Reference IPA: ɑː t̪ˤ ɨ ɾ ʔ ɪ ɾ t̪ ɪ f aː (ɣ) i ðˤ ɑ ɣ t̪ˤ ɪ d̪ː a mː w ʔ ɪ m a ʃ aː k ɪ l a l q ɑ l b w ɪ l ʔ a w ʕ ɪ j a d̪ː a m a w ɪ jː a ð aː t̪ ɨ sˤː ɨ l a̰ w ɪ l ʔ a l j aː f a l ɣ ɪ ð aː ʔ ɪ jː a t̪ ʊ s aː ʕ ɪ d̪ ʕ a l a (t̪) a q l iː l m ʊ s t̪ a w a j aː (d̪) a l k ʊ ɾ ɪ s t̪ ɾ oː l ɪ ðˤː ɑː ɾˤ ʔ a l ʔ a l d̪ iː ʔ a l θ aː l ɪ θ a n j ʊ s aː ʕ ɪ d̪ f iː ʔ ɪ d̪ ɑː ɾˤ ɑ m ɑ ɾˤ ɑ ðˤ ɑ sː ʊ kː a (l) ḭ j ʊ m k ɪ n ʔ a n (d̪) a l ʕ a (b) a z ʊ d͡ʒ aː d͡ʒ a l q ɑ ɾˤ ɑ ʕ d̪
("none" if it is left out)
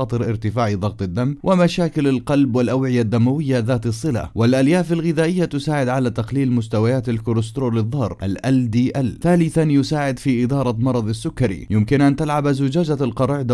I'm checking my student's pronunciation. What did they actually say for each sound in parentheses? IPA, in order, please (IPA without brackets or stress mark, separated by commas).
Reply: ʕ, t̪, t̪, ɾ, t̪, b